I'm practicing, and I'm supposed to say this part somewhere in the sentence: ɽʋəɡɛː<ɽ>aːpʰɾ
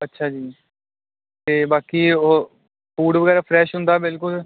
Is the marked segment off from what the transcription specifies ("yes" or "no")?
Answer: yes